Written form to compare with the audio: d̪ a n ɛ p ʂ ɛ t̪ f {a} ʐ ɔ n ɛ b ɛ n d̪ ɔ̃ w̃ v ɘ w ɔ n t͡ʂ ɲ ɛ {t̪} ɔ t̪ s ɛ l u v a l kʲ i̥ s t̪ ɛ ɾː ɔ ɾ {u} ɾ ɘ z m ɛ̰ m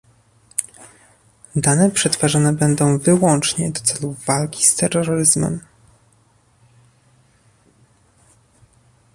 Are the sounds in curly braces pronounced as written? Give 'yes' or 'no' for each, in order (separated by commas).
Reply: yes, no, no